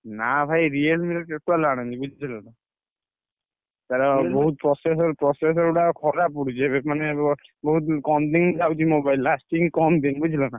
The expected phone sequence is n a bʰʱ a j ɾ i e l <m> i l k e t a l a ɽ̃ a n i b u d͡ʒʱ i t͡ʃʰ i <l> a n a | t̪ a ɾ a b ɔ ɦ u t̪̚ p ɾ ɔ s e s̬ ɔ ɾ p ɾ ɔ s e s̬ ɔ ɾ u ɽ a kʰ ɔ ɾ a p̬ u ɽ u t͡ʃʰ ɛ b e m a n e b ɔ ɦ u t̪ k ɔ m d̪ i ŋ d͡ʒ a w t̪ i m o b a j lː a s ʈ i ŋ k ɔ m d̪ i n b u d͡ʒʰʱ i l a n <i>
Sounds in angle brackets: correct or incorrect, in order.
correct, correct, incorrect: a

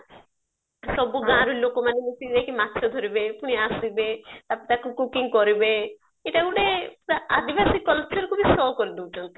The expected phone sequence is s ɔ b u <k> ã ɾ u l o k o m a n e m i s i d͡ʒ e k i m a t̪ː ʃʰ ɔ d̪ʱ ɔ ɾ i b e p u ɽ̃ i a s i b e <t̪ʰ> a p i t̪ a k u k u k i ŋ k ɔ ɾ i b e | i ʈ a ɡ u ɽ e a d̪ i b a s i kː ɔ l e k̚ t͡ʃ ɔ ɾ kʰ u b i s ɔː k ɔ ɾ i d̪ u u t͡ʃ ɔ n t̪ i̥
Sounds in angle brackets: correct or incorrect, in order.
incorrect: ɡ, incorrect: t̪

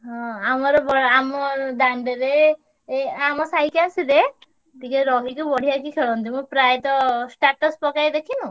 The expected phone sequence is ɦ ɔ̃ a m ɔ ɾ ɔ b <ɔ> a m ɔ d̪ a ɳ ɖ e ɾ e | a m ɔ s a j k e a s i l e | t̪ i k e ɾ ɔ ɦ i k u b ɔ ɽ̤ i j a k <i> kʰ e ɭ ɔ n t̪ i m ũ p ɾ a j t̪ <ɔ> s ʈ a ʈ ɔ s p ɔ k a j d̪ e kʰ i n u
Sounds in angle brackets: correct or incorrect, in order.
correct, correct, correct

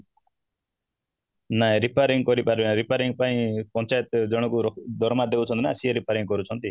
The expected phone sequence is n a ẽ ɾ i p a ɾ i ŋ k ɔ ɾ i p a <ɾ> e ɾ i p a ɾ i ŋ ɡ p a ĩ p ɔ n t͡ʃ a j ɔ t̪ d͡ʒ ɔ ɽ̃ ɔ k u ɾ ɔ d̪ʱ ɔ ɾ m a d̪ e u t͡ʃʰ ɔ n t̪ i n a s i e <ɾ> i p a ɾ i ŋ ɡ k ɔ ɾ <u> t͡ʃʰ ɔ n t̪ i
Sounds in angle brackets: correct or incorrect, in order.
correct, correct, correct

